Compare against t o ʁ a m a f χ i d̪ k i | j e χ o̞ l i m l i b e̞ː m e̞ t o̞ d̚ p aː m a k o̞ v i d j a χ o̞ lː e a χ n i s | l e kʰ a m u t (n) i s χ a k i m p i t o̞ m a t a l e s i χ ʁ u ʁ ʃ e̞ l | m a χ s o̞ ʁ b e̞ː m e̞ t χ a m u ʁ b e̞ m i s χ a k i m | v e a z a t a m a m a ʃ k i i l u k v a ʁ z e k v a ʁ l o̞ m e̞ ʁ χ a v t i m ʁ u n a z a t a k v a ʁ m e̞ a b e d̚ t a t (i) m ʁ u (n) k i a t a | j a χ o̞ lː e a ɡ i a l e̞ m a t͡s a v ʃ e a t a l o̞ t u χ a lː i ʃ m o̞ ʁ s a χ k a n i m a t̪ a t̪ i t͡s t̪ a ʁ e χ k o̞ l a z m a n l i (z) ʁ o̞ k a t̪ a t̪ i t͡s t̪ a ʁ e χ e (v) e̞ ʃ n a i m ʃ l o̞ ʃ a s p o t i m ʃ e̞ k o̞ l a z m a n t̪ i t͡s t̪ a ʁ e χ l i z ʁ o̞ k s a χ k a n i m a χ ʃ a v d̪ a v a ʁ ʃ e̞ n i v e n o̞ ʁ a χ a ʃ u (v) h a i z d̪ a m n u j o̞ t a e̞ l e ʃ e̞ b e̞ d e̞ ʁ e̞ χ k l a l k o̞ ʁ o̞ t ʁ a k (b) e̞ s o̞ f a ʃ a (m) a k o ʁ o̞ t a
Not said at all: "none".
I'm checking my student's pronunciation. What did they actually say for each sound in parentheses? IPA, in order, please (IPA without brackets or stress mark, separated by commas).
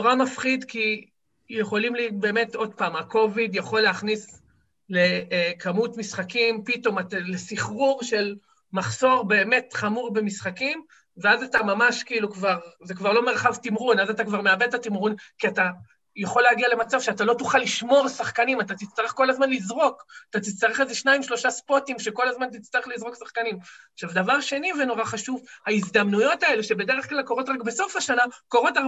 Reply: m, i, n, z, z, v, b, n